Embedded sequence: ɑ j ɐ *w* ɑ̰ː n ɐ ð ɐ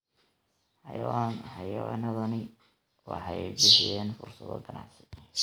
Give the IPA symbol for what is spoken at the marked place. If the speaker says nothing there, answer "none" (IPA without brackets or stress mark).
w